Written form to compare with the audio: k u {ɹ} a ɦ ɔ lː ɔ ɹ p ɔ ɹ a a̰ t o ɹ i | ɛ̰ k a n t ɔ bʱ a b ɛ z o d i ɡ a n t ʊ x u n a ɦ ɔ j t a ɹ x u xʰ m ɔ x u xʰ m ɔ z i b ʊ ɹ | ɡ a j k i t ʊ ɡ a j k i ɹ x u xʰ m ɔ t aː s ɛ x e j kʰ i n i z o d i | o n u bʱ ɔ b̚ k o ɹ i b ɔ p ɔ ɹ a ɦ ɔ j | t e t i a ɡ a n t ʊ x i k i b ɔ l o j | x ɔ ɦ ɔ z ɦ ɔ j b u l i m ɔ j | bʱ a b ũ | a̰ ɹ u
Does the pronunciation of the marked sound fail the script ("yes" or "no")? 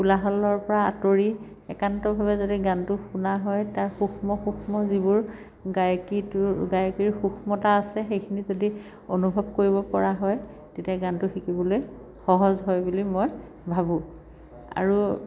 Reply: yes